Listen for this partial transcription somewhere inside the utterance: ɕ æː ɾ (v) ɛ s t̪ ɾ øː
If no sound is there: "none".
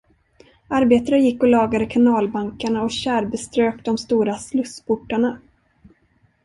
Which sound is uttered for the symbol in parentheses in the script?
b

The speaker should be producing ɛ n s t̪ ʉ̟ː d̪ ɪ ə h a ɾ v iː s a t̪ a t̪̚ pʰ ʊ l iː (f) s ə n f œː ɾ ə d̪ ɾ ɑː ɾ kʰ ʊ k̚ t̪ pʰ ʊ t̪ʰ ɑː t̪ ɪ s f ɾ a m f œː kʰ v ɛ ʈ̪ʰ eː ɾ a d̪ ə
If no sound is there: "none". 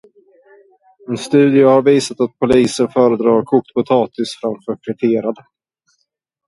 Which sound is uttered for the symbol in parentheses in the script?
none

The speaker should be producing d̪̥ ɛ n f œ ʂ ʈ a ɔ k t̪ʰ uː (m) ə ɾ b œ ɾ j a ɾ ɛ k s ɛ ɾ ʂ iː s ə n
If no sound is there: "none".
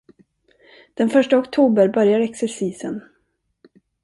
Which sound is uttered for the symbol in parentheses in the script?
b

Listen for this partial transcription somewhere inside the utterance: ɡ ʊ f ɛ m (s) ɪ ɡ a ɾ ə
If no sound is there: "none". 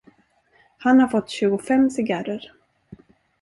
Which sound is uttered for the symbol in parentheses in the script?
s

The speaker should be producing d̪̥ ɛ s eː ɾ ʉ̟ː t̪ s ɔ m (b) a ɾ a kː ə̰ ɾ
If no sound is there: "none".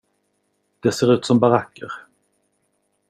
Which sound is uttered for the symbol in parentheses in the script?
b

